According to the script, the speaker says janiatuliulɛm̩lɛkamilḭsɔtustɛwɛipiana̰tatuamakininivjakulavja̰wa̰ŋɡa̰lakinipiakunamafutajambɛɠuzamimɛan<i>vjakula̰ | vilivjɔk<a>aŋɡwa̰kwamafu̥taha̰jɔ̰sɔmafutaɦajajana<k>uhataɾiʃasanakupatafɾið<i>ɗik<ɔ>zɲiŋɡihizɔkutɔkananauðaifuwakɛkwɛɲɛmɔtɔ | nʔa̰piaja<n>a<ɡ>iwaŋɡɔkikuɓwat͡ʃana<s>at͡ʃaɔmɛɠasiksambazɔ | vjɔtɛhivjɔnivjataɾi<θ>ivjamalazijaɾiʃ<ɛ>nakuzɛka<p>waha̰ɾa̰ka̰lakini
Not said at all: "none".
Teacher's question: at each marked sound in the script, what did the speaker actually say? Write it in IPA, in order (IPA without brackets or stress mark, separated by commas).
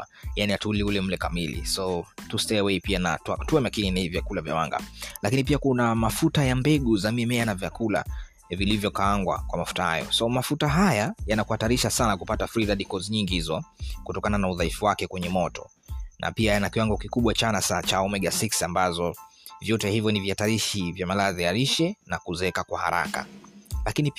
a, a, k, a, ɔ, n, k, s, ʃ, ɛ, k